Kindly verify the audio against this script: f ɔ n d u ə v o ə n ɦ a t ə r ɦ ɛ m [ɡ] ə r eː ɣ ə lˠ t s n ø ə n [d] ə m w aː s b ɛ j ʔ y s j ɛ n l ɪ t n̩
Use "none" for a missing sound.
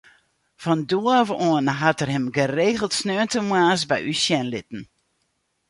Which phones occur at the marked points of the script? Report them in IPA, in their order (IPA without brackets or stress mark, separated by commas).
ɡ, t